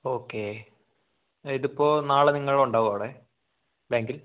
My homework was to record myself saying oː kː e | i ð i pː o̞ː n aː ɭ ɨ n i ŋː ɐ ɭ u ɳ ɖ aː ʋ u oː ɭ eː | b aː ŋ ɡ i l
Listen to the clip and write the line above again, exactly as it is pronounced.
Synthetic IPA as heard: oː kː e | i ð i pː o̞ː n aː ɭ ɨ n i ŋː ɐ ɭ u ɳ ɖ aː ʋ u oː ɽ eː | b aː ŋ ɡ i l

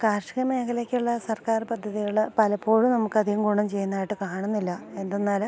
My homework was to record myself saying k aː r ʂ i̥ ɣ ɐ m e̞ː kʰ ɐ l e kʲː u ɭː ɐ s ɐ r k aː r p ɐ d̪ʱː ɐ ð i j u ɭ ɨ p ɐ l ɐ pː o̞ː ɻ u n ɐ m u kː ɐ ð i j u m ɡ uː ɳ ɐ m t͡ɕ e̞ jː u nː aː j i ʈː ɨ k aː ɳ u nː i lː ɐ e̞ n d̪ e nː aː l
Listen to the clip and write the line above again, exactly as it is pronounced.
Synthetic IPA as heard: k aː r ʂ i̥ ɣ ɐ m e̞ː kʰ ɐ l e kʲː u ɭː ɐ s ɐ r k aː r p ɐ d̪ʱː ɐ ð i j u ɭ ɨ p ɐ l ɐ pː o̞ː ɻ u n ɐ m u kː ɐ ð i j u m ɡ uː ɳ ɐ m t͡ɕ e̞ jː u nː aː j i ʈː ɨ k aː ɳ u nː i lː ɐ e̞ n d̪ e nː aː l

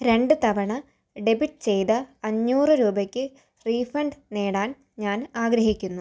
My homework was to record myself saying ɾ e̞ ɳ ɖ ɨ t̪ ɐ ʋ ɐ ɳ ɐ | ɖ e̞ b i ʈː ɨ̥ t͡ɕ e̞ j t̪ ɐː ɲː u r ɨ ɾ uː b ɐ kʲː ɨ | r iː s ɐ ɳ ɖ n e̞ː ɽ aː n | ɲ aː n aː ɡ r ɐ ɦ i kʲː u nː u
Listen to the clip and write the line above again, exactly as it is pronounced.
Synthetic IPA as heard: ɾ e̞ ɳ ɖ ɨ t̪ ɐ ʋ ɐ ɳ ɐ | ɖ e̞ b i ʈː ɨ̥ t͡ɕ e̞ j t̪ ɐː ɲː uː r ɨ ɾ uː b ɐ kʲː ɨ | r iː f ɐ ɳ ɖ n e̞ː ɽ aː n | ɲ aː n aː ɡ ɾ ɐ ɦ i kʲː u nː u

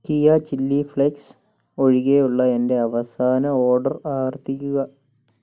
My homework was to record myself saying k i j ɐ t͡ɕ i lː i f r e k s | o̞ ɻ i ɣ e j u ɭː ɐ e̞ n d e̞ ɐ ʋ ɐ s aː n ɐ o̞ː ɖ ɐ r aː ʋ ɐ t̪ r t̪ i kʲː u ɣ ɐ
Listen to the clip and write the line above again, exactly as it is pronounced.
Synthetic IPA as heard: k i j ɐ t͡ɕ i lː i f ɭ e k s | o̞ ɻ i ɣ e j u ɭː ɐ e̞ n d e̞ ɐ ʋ ɐ s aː n ɐ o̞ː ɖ ɐ r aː ʋ ɐ r t̪ i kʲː u ɣ ɐ

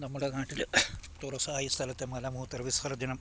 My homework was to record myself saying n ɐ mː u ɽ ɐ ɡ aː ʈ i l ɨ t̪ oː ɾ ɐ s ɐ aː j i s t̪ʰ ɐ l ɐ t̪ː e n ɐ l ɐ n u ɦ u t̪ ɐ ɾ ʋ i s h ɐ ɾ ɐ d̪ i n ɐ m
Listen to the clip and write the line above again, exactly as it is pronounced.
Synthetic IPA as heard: n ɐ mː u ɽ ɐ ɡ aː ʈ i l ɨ t̪ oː ɾ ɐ s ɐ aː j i s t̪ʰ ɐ l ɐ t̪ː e m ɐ l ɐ m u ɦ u t̪ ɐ ɾ ʋ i s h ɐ ɾ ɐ d̪ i n ɐ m

